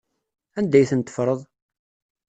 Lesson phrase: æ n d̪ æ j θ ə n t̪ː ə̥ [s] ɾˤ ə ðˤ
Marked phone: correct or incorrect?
incorrect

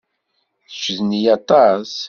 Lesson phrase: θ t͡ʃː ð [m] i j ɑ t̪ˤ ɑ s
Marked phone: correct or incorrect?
incorrect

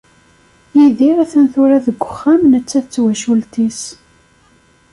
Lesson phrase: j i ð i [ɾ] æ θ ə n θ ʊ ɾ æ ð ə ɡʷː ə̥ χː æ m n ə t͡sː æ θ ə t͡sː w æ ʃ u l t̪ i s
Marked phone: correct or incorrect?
correct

